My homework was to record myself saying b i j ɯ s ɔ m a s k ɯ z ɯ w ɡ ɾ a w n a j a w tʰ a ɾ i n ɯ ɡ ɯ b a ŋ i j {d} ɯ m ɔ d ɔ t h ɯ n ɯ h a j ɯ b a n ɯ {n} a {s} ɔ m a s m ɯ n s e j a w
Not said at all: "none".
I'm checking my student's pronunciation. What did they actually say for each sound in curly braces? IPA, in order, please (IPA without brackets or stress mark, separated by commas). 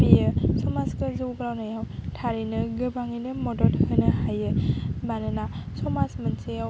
n, n, s